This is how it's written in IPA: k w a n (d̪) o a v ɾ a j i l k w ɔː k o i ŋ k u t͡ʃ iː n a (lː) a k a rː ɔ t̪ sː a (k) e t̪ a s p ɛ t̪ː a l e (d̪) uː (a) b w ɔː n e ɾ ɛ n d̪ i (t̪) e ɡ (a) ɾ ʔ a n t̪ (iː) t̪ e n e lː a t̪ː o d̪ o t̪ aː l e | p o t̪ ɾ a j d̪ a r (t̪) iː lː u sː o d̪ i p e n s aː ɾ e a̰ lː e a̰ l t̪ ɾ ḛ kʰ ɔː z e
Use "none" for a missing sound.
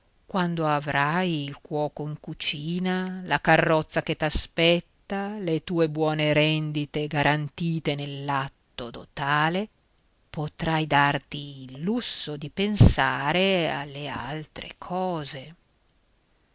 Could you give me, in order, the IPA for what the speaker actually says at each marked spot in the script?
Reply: d̪, l, k, t̪, e, t̪, a, iː, t̪

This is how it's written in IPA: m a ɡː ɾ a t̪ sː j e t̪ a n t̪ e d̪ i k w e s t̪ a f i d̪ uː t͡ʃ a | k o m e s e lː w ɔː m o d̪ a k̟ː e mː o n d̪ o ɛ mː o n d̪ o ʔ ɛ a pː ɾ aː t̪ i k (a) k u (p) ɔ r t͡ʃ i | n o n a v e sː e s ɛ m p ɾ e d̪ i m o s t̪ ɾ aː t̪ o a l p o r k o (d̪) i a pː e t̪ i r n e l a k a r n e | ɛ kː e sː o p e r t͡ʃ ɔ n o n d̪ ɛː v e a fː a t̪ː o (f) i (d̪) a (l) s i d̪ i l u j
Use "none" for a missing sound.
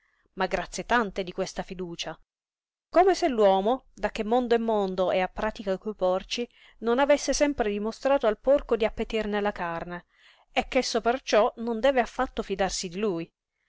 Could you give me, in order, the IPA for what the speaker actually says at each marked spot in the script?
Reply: a, p, d̪, f, d̪, r

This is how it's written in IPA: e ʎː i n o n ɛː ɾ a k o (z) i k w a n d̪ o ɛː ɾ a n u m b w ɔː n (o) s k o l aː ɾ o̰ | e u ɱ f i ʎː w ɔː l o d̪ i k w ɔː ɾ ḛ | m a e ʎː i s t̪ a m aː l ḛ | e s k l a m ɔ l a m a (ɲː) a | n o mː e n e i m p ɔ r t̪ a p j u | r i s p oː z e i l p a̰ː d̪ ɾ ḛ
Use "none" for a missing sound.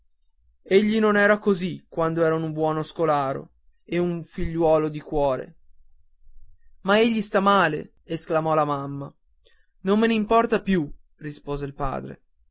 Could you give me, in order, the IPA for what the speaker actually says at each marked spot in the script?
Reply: z, o, mː

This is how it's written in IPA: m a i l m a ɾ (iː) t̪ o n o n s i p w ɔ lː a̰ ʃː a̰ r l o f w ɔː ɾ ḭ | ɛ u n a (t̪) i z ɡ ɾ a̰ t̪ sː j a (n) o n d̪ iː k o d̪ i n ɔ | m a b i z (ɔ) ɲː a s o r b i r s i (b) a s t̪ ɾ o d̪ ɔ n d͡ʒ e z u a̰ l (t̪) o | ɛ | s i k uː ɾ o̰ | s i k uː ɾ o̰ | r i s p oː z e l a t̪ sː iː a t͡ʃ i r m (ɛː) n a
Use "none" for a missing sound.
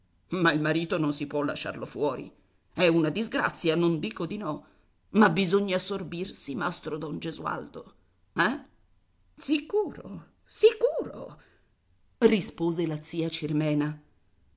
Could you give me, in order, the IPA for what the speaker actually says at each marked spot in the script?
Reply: iː, d̪, n, o, m, d̪, ɛː

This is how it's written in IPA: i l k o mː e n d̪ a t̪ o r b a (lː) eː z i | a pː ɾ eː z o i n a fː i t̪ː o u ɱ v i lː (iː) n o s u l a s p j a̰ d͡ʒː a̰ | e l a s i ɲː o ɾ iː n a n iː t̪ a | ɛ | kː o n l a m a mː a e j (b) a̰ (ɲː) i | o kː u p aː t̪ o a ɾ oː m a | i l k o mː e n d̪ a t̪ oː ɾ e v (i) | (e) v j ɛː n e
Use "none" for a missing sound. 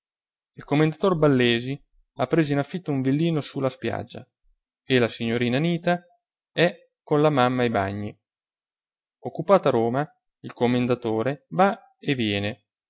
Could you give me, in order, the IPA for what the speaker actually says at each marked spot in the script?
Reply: lː, iː, b, ɲː, a, e

